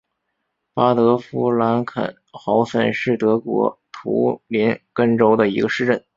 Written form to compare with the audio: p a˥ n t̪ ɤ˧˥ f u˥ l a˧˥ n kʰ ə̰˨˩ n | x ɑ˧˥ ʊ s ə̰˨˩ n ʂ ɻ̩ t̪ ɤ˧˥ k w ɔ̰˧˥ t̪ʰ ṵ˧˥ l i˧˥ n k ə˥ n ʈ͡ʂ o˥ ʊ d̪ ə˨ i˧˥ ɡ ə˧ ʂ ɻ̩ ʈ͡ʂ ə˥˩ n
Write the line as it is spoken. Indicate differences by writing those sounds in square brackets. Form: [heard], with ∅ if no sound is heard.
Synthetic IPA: p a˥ [∅] t̪ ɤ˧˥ f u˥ l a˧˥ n kʰ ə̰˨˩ n | x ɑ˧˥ ʊ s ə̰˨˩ n ʂ ɻ̩ t̪ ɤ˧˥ k w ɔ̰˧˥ t̪ʰ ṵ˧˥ l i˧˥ n k ə˥ n ʈ͡ʂ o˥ ʊ d̪ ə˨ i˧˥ ɡ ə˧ ʂ ɻ̩ ʈ͡ʂ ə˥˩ n

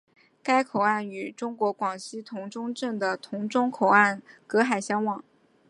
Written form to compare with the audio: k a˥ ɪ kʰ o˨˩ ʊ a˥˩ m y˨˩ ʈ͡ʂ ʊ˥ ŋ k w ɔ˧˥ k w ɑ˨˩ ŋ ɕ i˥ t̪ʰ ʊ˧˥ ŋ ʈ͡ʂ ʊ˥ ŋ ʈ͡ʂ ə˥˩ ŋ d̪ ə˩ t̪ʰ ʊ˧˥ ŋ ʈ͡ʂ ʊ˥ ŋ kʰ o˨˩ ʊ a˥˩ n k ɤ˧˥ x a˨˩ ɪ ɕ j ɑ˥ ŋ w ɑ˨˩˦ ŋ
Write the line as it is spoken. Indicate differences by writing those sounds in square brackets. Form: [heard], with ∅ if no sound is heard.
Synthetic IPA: k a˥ ɪ kʰ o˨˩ ʊ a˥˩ [n] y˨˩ ʈ͡ʂ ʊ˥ ŋ k w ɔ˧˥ k w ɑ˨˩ ŋ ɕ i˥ t̪ʰ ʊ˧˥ ŋ ʈ͡ʂ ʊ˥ ŋ ʈ͡ʂ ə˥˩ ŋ d̪ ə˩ t̪ʰ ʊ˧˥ ŋ ʈ͡ʂ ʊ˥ ŋ kʰ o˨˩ ʊ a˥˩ n k ɤ˧˥ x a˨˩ ɪ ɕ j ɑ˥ ŋ w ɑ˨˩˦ ŋ

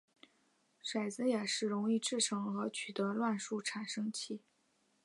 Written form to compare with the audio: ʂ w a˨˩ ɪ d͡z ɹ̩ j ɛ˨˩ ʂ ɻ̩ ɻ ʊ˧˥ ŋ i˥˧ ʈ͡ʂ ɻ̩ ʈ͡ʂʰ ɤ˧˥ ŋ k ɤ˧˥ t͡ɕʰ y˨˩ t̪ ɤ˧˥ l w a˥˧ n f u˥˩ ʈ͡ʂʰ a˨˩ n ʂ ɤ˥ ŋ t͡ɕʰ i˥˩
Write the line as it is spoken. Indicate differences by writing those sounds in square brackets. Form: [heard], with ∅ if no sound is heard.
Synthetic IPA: ʂ w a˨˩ ɪ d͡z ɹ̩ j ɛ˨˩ ʂ ɻ̩ ɻ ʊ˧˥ ŋ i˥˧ ʈ͡ʂ ɻ̩ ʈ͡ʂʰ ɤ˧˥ ŋ [x] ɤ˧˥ t͡ɕʰ y˨˩ t̪ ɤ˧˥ l w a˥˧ n [ʂ] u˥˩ ʈ͡ʂʰ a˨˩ n ʂ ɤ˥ ŋ t͡ɕʰ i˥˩

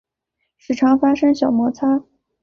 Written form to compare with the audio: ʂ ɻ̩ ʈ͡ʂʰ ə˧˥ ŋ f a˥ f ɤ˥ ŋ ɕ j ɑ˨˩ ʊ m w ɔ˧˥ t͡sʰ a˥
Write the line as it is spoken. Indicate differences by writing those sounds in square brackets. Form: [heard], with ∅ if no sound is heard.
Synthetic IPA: ʂ ɻ̩ ʈ͡ʂʰ [ɑ˧˥] ŋ f a˥ [ʂ] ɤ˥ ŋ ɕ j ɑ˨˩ ʊ m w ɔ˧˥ t͡sʰ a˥

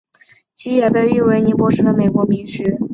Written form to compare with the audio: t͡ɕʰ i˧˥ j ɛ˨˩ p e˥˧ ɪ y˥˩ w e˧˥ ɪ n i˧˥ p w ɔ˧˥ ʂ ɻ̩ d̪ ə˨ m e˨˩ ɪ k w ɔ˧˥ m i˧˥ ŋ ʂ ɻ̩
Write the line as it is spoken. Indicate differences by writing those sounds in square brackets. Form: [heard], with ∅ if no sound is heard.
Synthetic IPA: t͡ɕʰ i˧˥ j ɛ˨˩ p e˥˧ ɪ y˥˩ w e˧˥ ɪ n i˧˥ p w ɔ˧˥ ʂ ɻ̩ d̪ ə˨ m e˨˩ ɪ k w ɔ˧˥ m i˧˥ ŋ ʂ ɻ̩

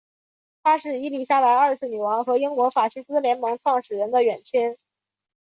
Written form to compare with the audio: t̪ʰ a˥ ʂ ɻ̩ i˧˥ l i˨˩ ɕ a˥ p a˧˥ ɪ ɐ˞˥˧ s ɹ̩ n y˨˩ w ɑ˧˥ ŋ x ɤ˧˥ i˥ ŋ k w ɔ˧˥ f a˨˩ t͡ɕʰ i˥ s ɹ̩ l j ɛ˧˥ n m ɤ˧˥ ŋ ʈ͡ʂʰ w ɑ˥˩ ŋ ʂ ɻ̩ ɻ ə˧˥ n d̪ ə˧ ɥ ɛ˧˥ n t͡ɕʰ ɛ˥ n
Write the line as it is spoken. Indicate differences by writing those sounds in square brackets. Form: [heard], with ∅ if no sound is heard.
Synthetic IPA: t̪ʰ a˥ ʂ ɻ̩ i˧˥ l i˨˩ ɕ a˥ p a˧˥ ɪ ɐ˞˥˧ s ɹ̩ n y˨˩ w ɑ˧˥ ŋ x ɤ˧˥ i˥ ŋ k w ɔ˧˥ f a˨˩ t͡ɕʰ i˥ s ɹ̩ l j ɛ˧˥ n m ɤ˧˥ ŋ ʈ͡ʂʰ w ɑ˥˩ ŋ ʂ ɻ̩ ɻ ə˧˥ n d̪ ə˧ ɥ [ɛ˨˩] n t͡ɕʰ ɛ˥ n

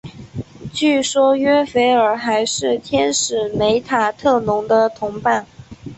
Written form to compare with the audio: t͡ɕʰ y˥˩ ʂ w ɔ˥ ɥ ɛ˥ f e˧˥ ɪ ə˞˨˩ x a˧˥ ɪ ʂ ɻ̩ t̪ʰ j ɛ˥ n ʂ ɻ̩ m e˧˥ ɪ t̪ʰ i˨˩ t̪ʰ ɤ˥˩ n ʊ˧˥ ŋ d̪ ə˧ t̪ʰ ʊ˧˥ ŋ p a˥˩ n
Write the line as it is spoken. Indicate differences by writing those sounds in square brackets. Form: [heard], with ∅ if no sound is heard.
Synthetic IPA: [t͡ɕ] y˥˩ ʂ w ɔ˥ ɥ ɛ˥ f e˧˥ ɪ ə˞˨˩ x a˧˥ ɪ ʂ ɻ̩ t̪ʰ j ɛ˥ n ʂ ɻ̩ m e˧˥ ɪ t̪ʰ [a˨˩] t̪ʰ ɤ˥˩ n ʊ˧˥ ŋ d̪ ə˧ t̪ʰ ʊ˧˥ ŋ p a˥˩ n

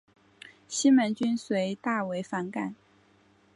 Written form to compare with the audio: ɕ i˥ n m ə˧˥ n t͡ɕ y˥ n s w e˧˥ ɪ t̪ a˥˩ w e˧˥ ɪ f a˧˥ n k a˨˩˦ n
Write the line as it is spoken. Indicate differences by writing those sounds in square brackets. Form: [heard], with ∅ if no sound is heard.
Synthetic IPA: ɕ i˥ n m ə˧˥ n t͡ɕ y˥ n s w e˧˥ ɪ t̪ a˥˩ w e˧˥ ɪ f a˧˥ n k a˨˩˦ n

